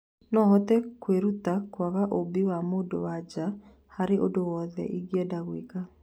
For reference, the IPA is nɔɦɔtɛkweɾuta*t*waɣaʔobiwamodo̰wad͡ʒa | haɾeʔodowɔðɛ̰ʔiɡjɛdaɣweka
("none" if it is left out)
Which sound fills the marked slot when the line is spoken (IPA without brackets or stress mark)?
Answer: k